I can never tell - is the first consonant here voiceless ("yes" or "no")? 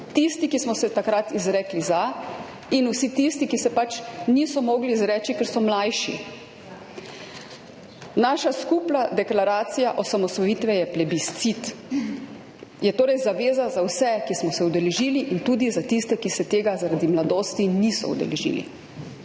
yes